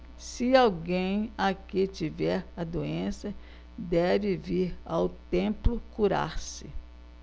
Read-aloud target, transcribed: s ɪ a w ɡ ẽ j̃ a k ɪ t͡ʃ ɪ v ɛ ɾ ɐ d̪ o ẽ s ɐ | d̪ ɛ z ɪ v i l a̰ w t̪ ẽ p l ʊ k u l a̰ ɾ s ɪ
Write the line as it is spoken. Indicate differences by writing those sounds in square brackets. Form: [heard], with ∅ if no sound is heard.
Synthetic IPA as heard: s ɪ a w ɡ ẽ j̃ a k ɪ t͡ʃ [i] v ɛ ɾ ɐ d̪ o ẽ s ɐ | d̪ ɛ [v] ɪ v i [ɾ] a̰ w t̪ ẽ p l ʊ k u [ɾ] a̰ ɾ s ɪ